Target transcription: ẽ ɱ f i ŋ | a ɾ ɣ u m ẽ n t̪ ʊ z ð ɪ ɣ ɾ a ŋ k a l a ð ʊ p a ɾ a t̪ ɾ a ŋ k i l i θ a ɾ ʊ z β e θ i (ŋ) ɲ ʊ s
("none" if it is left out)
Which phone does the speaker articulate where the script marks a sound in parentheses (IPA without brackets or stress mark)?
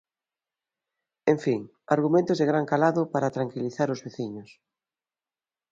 none